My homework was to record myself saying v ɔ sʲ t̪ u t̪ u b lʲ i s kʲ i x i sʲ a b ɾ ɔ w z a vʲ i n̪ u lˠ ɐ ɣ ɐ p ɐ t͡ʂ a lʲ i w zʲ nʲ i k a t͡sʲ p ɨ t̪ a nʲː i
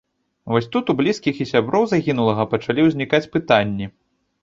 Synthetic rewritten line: v ɔ sʲ t̪ u t̪ u b lʲ i s kʲ i x i sʲ a b ɾ ɔ w z a ɣʲ i n̪ u lˠ ɐ ɣ ɐ p ɐ t͡ʂ a lʲ i w zʲ nʲ i k a t͡sʲ p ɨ t̪ a nʲː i